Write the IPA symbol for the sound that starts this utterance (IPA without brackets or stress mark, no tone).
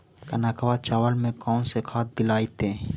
k